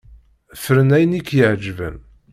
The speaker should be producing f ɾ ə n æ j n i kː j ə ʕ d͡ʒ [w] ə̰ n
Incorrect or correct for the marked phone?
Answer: incorrect: v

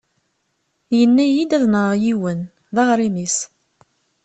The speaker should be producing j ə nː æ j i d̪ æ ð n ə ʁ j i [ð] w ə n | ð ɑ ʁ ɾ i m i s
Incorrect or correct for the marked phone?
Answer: incorrect: none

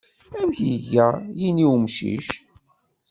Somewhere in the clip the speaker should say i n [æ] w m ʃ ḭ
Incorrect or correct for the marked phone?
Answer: incorrect: i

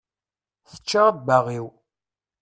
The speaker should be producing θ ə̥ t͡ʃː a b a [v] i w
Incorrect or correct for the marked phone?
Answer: incorrect: ʁ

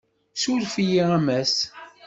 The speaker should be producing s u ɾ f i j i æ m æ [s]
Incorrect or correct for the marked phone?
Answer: correct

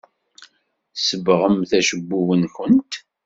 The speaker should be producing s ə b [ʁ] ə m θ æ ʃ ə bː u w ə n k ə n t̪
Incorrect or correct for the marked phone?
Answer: correct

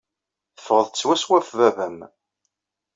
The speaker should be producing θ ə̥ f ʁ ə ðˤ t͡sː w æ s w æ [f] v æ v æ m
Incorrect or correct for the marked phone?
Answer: correct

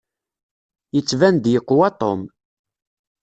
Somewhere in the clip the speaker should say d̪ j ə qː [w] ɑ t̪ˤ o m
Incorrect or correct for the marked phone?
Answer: correct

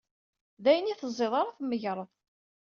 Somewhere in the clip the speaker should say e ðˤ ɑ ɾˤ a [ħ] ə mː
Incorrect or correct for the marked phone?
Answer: incorrect: θ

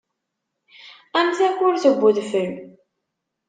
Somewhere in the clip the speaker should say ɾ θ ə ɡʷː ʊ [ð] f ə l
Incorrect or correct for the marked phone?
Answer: correct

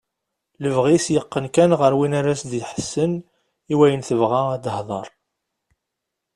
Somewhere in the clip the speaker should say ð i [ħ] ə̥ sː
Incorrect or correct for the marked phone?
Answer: correct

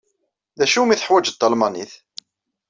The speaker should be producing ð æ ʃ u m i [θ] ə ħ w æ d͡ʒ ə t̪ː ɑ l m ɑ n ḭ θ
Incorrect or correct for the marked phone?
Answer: correct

